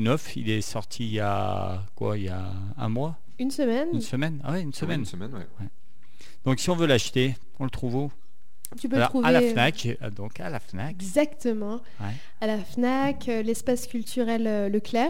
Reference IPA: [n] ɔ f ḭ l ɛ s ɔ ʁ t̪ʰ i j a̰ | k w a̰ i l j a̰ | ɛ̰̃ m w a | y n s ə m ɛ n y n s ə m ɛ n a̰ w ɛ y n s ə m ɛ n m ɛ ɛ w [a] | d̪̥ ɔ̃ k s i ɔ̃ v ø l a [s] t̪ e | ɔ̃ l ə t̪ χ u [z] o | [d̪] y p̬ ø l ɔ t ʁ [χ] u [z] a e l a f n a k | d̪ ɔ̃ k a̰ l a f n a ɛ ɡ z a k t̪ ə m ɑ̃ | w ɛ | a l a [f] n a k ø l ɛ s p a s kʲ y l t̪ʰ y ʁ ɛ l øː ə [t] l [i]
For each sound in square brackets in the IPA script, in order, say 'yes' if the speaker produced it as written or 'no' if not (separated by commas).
yes, no, no, no, no, yes, no, yes, no, no